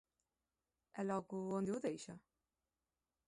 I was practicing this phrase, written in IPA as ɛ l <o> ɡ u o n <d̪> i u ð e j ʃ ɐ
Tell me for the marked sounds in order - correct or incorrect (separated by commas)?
incorrect, correct